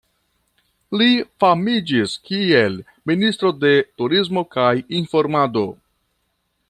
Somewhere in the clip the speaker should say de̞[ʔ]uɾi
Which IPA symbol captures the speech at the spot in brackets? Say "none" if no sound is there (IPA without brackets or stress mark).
t